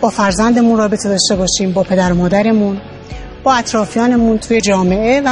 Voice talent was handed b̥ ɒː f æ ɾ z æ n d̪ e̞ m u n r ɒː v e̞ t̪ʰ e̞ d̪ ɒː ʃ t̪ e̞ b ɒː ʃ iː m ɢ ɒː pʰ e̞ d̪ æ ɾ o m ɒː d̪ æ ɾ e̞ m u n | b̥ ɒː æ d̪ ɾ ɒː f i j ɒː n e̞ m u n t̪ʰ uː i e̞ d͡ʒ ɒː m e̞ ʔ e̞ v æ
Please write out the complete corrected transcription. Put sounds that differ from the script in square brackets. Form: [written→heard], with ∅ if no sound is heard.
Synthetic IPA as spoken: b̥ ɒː f æ ɾ z æ n d̪ e̞ m u n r ɒː [v→b] e̞ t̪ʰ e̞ d̪ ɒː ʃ t̪ e̞ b ɒː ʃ iː m [ɢ→b] ɒː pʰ e̞ d̪ æ ɾ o m ɒː d̪ æ ɾ e̞ m u n | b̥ ɒː æ [d̪→t̪] ɾ ɒː f i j ɒː n e̞ m u n t̪ʰ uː [i→j] e̞ d͡ʒ ɒː m e̞ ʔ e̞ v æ